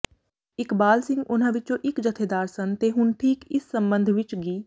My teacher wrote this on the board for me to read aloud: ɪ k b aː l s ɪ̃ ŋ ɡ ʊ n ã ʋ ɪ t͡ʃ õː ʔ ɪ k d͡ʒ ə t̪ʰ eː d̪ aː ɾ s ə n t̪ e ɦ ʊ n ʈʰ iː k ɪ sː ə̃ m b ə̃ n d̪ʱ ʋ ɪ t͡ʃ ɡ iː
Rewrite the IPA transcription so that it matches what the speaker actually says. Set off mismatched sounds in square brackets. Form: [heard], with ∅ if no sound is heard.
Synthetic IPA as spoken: ɪ k b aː l s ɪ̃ ŋ ɡ ʊ n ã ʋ ɪ t͡ʃ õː ʔ ɪ k d͡ʒ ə t̪ʰ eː d̪ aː ɾ s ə n t̪ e ɦ ʊ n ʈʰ iː k ɪ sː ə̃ m b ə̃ n d̪ʱ ʋ ɪ t͡ʃ ɡ iː